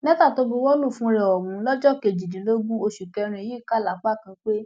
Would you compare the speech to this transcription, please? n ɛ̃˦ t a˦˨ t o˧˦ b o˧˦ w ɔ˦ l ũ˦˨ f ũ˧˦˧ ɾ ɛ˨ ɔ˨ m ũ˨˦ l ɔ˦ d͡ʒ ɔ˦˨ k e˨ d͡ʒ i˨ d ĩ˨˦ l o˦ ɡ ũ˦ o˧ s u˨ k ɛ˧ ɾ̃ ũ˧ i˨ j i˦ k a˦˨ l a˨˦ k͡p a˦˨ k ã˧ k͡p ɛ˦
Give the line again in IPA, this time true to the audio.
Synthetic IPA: n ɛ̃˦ t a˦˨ t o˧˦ b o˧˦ w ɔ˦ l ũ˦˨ f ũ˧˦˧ ɾ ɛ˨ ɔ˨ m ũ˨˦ l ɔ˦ d͡ʒ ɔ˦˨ k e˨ d͡ʒ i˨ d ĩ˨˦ l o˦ ɡ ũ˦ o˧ ʃ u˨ k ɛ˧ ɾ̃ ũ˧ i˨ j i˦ k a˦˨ l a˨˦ k͡p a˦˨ k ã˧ k͡p e˦